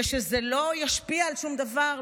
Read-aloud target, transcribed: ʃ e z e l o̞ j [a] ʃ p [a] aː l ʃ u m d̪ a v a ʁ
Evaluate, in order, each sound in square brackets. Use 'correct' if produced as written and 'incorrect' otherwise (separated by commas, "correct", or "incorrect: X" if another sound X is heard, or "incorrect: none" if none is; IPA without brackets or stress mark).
correct, incorrect: i